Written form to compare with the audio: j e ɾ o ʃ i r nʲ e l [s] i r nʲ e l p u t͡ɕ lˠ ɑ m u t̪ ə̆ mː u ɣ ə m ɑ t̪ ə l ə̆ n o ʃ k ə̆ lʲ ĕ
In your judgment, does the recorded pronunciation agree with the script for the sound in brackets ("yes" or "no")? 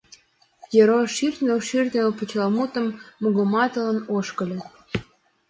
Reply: no